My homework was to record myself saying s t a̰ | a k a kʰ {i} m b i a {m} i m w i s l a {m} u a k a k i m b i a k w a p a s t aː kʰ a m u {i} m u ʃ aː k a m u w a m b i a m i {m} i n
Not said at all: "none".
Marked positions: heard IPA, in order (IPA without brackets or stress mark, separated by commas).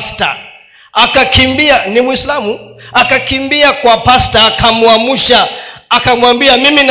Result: i, n, m, a, m